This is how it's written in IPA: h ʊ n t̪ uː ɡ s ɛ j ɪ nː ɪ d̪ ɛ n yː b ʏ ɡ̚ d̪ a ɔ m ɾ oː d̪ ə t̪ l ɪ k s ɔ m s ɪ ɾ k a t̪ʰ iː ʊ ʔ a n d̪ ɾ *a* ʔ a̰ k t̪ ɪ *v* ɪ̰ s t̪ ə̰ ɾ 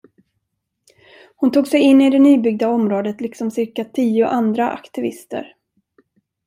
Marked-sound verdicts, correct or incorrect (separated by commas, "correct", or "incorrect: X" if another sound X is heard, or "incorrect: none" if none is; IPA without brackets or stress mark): correct, correct